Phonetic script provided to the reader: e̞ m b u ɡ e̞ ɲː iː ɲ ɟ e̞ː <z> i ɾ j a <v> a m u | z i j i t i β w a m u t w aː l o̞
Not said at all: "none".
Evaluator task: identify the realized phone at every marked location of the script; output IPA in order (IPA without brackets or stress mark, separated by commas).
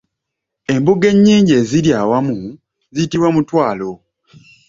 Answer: z, w